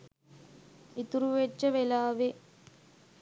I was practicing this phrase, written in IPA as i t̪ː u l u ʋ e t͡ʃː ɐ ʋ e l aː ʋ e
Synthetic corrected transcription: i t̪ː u ɾ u ʋ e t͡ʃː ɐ ʋ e l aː ʋ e